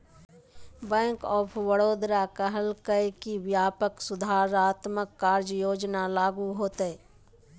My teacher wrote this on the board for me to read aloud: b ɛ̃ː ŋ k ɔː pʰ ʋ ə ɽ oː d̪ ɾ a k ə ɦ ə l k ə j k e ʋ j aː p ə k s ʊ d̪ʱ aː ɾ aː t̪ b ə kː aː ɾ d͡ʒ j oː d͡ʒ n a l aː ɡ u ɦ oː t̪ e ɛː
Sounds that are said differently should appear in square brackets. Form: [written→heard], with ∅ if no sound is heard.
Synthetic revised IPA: b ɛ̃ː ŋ k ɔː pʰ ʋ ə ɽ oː d̪ ɾ a k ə ɦ ə l k ə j k [e→i] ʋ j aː p ə k s ʊ d̪ʱ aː ɾ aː t̪ [b→m] ə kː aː ɾ d͡ʒ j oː d͡ʒ n a l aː ɡ u ɦ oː t̪ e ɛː